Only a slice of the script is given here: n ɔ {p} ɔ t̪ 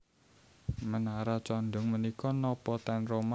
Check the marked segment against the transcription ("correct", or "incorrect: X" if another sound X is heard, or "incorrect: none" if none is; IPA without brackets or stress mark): correct